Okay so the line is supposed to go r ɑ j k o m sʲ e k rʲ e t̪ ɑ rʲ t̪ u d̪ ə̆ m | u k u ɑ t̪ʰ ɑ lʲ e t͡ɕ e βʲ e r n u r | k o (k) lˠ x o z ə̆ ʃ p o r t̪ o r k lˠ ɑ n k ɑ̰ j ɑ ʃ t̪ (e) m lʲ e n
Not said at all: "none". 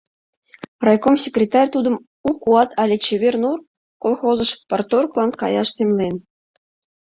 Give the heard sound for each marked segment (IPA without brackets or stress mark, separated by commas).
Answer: none, e